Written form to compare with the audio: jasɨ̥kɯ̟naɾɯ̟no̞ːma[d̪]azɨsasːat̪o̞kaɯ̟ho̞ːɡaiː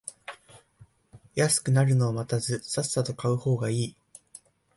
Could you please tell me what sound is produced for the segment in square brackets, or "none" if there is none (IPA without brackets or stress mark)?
t̪